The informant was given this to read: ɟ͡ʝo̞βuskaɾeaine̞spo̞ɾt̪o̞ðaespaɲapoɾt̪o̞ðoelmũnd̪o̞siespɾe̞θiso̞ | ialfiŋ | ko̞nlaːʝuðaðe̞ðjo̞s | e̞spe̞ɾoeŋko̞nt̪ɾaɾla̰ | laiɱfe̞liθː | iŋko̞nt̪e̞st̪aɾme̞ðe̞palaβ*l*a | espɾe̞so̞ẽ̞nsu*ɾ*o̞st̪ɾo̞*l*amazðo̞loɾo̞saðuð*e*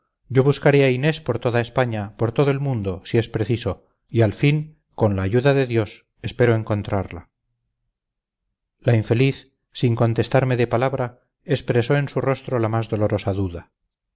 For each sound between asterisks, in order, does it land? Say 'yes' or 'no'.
no, no, yes, no

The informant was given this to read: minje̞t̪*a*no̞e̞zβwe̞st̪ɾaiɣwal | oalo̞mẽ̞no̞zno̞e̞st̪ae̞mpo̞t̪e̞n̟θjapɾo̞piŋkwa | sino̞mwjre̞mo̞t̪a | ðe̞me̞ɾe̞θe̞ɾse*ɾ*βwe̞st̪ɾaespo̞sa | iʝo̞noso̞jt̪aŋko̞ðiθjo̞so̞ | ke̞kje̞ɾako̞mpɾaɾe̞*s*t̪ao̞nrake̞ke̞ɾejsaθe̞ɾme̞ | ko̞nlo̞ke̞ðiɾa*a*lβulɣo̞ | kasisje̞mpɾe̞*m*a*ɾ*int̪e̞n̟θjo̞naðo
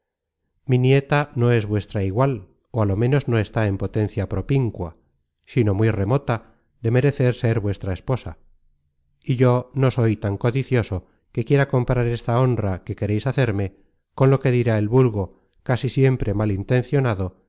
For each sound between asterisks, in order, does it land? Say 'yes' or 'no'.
yes, yes, yes, no, yes, no

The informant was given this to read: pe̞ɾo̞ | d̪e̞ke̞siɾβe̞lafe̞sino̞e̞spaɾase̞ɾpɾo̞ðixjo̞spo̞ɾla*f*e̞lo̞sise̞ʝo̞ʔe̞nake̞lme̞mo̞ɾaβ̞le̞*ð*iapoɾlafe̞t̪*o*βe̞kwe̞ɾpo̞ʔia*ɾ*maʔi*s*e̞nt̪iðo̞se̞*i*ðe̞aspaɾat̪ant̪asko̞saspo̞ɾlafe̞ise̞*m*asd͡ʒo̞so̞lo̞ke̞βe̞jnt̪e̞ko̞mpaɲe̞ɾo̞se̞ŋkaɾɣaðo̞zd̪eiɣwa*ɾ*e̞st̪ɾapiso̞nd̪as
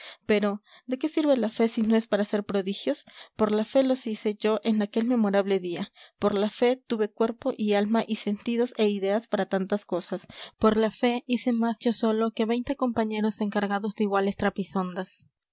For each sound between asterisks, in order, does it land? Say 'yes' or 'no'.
yes, yes, no, no, yes, yes, yes, no

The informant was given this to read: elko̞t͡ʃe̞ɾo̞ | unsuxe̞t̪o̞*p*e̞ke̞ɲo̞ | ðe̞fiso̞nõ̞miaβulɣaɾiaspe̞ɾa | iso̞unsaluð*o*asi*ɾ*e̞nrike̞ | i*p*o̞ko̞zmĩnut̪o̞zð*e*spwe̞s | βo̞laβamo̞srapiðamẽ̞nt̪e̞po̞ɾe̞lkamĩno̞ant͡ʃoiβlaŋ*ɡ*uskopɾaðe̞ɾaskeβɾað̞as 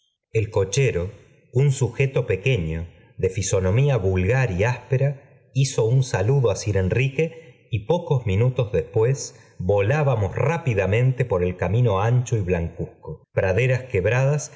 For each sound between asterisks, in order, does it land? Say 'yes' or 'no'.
yes, yes, yes, yes, yes, no

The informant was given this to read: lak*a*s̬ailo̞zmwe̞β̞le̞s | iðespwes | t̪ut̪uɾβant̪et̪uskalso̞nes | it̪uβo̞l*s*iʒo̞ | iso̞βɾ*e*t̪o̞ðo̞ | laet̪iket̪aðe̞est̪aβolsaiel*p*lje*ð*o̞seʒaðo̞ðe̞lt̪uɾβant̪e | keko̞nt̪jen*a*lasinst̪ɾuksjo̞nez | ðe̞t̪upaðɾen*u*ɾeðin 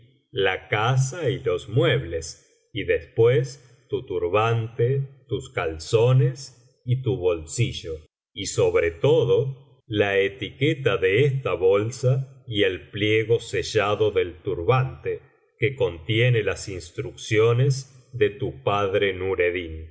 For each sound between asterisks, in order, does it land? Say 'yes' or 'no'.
yes, yes, yes, yes, no, no, yes

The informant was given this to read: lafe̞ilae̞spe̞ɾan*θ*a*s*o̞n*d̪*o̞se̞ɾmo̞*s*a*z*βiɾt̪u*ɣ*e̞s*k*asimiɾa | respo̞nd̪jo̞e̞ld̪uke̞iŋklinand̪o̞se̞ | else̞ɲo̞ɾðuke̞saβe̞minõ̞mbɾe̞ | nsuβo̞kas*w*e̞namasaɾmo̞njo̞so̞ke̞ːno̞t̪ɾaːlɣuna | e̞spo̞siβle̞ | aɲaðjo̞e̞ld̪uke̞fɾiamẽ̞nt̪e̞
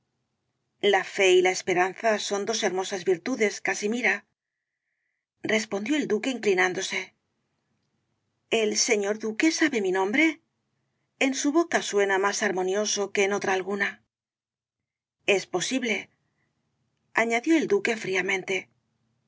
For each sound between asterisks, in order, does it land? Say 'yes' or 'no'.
yes, yes, yes, yes, yes, no, yes, yes

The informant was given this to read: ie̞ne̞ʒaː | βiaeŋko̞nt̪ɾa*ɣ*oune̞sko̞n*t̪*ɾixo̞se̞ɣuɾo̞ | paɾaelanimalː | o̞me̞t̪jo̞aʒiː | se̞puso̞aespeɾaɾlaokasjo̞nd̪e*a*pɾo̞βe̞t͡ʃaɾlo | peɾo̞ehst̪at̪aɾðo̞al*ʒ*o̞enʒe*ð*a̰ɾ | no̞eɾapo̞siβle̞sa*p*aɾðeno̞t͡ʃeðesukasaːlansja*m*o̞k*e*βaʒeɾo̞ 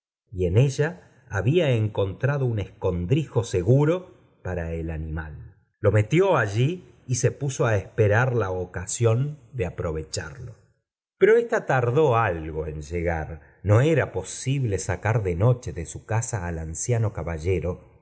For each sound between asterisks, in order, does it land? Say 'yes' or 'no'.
no, no, yes, no, no, no, no, no

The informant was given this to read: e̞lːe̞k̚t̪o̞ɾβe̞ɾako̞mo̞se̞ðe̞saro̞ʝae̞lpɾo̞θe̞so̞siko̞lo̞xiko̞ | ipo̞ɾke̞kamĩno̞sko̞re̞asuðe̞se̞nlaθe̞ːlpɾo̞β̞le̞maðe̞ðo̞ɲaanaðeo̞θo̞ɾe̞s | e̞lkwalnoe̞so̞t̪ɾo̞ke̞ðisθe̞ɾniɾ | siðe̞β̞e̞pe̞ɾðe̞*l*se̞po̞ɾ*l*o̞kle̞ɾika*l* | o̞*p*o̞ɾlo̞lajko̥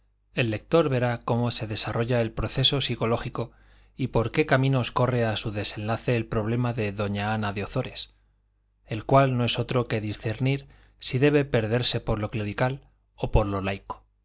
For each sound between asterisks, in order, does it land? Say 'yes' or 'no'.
no, yes, yes, yes

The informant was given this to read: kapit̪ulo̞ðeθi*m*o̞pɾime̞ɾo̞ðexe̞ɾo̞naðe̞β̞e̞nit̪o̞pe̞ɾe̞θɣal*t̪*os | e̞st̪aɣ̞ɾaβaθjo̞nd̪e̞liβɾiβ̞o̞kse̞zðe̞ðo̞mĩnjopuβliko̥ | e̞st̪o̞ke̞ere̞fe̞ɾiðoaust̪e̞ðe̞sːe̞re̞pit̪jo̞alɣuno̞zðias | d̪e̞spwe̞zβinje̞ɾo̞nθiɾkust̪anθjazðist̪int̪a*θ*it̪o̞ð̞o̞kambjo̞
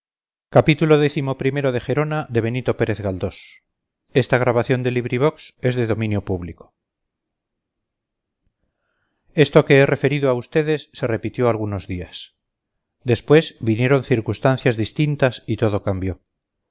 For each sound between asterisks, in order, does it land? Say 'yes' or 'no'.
yes, no, no

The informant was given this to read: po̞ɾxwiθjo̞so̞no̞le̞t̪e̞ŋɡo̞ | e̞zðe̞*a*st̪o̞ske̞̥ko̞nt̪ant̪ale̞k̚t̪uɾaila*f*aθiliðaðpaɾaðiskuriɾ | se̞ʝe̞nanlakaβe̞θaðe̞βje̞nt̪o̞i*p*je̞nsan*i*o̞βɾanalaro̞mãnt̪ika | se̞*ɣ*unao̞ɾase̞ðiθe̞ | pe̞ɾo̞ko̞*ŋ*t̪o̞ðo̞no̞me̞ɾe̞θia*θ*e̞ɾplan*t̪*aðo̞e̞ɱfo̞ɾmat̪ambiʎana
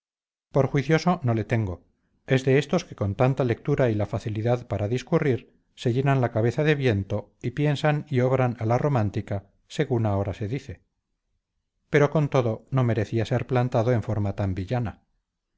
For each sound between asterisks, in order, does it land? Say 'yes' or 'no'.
no, yes, yes, yes, yes, no, no, yes

